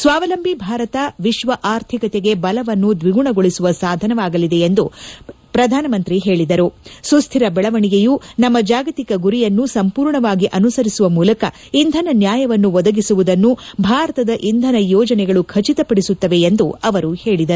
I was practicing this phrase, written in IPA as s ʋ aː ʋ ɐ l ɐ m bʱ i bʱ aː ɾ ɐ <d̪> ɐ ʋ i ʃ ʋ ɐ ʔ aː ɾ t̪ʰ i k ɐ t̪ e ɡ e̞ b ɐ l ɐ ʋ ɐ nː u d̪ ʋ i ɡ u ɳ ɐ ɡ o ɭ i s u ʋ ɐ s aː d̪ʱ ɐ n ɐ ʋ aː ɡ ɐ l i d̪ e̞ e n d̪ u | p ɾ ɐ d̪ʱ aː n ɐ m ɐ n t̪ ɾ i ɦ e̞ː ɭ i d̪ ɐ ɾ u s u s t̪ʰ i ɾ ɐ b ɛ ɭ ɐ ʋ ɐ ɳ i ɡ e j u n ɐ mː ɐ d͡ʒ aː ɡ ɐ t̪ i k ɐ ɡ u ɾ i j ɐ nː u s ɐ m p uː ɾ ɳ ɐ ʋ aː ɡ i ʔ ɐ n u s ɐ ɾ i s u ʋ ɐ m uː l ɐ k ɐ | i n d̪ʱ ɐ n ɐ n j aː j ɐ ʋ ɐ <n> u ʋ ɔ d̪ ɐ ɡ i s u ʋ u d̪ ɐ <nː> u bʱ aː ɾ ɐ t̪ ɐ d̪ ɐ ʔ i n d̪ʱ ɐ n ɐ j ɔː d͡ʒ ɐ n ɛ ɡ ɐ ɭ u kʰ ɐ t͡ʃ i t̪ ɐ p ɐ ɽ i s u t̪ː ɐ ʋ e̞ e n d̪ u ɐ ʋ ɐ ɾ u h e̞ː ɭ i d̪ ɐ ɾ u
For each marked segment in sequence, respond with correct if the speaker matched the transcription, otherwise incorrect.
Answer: incorrect: t̪, incorrect: nː, correct

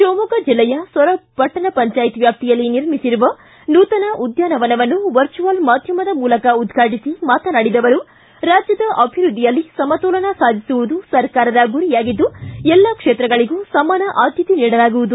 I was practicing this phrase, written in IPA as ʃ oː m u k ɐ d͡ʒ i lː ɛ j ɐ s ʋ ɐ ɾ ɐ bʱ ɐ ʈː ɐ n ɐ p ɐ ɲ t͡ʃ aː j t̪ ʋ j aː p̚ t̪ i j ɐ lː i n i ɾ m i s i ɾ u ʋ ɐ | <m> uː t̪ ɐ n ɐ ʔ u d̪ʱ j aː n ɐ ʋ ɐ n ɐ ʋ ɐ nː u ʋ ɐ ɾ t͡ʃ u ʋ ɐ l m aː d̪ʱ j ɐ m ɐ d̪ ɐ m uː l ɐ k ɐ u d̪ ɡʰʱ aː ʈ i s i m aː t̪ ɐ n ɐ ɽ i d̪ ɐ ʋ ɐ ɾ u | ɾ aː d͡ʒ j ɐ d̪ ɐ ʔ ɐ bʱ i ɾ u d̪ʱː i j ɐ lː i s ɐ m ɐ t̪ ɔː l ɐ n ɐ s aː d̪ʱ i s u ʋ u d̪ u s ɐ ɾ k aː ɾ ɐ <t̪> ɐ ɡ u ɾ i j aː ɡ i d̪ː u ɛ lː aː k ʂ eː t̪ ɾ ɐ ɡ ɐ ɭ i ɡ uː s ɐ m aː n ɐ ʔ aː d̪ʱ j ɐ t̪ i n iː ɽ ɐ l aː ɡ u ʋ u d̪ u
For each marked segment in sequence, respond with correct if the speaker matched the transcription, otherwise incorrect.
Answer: incorrect: n, incorrect: d̪

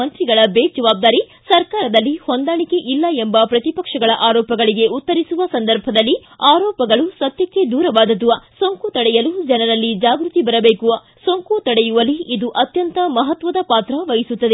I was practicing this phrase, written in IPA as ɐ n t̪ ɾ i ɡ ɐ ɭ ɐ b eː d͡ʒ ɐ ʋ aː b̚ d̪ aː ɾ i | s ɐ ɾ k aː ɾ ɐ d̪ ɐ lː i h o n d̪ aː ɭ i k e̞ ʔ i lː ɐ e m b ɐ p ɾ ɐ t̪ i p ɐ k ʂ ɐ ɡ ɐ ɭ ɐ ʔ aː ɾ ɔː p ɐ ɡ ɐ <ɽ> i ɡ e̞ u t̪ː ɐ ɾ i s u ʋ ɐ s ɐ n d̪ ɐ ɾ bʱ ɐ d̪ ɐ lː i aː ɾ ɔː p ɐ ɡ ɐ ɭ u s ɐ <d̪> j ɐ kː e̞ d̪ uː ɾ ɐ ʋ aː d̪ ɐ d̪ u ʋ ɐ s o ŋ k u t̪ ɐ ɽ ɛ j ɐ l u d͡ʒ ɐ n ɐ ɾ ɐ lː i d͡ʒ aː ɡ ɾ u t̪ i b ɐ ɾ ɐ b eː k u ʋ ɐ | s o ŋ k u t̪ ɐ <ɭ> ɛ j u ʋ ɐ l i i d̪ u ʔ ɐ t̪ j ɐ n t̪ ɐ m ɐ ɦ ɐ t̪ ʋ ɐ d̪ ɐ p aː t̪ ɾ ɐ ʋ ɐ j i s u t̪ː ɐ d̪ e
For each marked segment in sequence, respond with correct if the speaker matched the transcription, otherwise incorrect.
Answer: incorrect: ɭ, incorrect: t̪, incorrect: ɽ

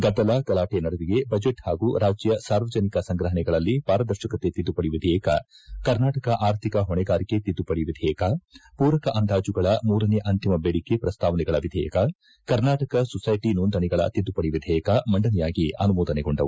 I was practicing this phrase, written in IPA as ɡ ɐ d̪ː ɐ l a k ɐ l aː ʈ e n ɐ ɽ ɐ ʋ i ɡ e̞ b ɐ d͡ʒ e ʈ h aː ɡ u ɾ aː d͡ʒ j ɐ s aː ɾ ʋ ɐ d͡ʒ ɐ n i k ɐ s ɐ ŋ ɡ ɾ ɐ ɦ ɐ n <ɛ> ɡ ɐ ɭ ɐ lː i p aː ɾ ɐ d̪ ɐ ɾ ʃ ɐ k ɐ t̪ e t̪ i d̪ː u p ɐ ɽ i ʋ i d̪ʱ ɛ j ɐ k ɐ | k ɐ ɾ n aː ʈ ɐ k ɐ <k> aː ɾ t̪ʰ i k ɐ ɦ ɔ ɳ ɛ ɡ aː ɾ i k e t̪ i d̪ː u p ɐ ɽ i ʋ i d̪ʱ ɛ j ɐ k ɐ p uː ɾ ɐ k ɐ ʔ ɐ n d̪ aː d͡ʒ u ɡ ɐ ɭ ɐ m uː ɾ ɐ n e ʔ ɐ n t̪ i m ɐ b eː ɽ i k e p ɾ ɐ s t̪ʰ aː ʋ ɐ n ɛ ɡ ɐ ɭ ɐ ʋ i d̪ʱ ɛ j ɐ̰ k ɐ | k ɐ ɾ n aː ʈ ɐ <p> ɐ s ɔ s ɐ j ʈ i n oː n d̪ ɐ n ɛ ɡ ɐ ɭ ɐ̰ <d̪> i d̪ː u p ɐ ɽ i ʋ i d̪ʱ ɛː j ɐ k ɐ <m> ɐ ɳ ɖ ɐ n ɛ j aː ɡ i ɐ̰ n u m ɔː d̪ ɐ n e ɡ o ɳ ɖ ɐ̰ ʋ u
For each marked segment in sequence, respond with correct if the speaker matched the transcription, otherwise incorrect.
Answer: correct, incorrect: ʔ, incorrect: k, incorrect: t̪, correct

